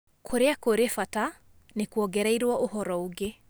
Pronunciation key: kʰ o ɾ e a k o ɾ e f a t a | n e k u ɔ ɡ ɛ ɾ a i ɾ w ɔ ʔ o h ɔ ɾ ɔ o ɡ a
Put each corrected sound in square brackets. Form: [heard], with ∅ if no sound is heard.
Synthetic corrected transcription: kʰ o ɾ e a k o ɾ e f a t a | n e k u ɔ ɡ ɛ ɾ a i ɾ w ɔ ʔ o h ɔ ɾ ɔ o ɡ [e]